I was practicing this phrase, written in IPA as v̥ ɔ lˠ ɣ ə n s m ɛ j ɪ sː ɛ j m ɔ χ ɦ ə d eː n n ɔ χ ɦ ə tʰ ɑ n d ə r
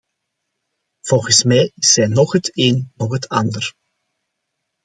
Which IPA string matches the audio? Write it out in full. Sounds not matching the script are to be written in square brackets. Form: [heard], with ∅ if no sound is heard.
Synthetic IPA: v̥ ɔ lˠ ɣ ə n s m ɛ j ɪ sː ɛ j [n] ɔ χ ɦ ə [t] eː n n ɔ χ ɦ ə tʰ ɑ n d ə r

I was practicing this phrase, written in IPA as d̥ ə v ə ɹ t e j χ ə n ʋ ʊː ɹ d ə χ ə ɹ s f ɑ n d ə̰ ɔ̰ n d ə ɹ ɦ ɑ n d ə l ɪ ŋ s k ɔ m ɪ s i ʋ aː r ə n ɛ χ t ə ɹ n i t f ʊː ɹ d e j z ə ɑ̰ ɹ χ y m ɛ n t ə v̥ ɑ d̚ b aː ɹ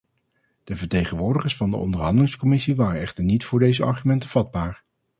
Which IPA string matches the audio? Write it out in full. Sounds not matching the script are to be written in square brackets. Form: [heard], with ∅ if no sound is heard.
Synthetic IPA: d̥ ə v ə ɹ t e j χ ə n ʋ ʊː ɹ d ə χ ə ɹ s f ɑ n d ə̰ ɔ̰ n d ə ɹ ɦ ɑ n d ə l ɪ ŋ s k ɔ m ɪ s i ʋ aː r ə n ɛ χ t ə ɹ n i t f ʊː ɹ d e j z ə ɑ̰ ɹ χ y m ɛ n t ə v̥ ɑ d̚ b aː ɹ

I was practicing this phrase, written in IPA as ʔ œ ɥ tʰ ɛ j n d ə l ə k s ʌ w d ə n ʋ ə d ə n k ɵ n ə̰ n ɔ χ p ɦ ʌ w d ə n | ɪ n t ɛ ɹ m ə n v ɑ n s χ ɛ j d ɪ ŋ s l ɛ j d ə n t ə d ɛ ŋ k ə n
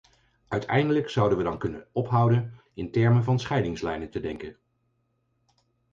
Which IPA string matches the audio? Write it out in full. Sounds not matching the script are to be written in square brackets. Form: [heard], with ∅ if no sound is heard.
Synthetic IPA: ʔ œ ɥ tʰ ɛ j n d ə l ə k s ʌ w d ə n ʋ ə d [ɑ] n k ɵ n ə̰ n ɔ [∅] p ɦ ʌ w d ə n | ɪ n t ɛ ɹ m ə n v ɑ n s χ ɛ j d ɪ ŋ s l ɛ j [n] ə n t ə d ɛ ŋ k ə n

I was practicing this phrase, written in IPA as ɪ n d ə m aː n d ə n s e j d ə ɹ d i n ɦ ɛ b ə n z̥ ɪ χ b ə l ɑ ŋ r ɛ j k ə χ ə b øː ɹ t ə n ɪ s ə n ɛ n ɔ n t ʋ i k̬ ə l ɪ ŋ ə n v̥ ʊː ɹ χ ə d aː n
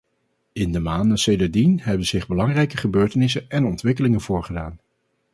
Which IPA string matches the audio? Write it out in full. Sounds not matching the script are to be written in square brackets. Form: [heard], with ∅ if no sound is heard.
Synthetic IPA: ɪ n d ə m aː n d ə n s e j d ə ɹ d i n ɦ ɛ b ə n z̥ ɪ χ b ə l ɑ ŋ r ɛ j k ə χ ə b øː ɹ t ə n ɪ s ə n ɛ n ɔ n t ʋ [ɪ] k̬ ə l ɪ ŋ ə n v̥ ʊː ɹ χ ə d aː n

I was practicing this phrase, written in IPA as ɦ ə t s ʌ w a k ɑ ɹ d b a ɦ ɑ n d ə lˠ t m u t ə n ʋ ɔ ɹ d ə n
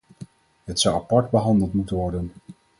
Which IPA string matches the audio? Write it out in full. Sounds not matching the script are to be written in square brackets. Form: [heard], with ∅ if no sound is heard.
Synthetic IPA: ɦ ə t s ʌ w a [p] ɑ ɹ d b [ə] ɦ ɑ n d ə lˠ t m u t ə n ʋ ɔ ɹ d ə n

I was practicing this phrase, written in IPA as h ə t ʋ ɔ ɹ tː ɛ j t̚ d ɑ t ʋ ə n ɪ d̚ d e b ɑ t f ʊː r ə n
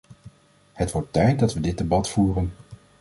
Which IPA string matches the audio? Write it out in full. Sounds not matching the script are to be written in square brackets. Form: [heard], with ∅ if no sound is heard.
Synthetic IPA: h ə t ʋ ɔ ɹ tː ɛ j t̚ d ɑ t ʋ ə [d] ɪ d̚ d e b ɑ t f [uː] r ə n

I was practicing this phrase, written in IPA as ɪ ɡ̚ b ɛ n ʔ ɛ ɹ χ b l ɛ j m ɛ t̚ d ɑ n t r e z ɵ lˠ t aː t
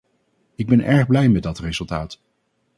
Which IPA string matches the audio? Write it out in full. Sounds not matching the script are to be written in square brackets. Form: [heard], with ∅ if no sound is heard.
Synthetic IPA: ɪ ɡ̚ b ɛ n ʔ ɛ ɹ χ b l ɛ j m ɛ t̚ d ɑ [∅] t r e z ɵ lˠ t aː t

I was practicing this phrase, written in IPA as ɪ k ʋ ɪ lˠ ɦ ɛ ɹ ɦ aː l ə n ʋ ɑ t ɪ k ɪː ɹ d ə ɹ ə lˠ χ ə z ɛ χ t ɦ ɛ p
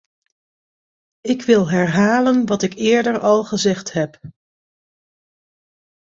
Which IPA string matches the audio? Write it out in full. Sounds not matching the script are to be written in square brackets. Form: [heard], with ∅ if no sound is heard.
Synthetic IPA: ɪ k ʋ ɪ lˠ ɦ ɛ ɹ ɦ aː l ə n ʋ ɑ t ɪ k ɪː ɹ d ə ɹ [ɑ] lˠ χ ə z ɛ χ t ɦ ɛ p

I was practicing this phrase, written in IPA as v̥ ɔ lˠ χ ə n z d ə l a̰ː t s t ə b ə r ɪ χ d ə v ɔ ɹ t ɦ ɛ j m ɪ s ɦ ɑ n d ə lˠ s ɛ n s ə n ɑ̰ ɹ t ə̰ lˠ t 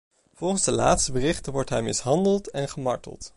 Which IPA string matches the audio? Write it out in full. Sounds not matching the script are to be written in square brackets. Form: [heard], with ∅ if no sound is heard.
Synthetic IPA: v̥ ɔ lˠ χ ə n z d ə l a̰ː t s t ə b ə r ɪ χ [t] ə [ʋ] ɔ ɹ t ɦ ɛ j m ɪ s ɦ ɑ n d ə lˠ [t] ɛ n [χ] ə [m] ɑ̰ ɹ t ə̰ lˠ t

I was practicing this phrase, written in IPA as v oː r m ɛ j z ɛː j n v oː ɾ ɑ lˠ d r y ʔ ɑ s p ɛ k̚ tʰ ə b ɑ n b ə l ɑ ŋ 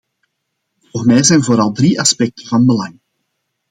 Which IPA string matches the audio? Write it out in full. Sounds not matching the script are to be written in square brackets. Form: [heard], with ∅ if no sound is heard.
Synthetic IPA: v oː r m ɛ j z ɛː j n v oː ɾ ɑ lˠ d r [i] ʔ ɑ s p ɛ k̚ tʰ ə [v] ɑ n b ə l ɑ ŋ

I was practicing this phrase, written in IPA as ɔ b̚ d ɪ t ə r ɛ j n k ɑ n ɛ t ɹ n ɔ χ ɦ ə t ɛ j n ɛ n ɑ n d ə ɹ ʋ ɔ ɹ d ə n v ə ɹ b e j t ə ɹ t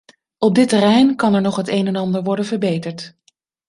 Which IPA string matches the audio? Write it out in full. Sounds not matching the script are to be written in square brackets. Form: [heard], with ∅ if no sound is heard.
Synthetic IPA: ɔ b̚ d ɪ t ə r ɛ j n k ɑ n ɛ [∅] ɹ n ɔ χ ɦ ə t [e] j n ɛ n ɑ n d ə ɹ ʋ ɔ ɹ d ə n v ə ɹ b e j t ə ɹ t

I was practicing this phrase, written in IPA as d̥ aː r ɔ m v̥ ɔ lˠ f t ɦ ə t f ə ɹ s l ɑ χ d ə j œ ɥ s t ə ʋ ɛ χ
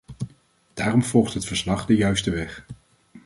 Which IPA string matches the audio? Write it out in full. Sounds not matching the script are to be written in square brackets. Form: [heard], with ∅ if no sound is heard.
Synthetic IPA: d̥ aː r ɔ m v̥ ɔ lˠ [χ] t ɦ ə t f ə ɹ s l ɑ χ d ə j œ ɥ s t ə ʋ ɛ χ

